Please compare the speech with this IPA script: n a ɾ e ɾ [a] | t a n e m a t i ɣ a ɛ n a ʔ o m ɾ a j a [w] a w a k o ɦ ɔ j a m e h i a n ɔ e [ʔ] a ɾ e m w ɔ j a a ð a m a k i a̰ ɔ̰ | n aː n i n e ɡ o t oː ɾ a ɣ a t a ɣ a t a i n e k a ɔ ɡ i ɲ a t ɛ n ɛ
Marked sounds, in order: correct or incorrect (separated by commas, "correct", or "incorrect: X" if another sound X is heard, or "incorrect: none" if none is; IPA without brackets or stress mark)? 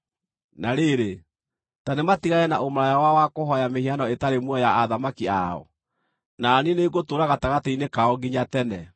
incorrect: e, correct, incorrect: t